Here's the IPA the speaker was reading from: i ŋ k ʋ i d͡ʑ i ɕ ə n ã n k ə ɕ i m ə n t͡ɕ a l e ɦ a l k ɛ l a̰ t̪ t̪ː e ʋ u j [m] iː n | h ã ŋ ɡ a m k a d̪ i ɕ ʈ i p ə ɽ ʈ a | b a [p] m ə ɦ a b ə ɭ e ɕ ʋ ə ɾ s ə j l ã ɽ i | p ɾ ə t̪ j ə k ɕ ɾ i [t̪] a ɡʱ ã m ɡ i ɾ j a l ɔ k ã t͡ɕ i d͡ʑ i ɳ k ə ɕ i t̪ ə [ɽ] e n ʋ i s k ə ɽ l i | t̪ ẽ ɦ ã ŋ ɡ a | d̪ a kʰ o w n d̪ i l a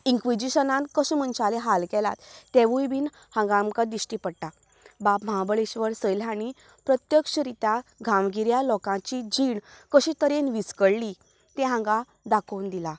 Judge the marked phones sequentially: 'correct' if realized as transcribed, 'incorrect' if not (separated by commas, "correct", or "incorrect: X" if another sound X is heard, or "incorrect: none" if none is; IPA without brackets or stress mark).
incorrect: b, correct, correct, incorrect: ɾ